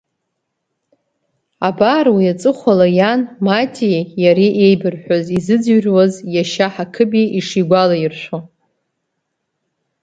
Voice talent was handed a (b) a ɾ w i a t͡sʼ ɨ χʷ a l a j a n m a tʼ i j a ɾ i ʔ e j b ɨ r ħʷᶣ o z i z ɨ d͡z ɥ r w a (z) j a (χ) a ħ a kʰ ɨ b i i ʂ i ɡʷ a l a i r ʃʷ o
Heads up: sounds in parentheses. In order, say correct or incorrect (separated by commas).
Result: correct, correct, incorrect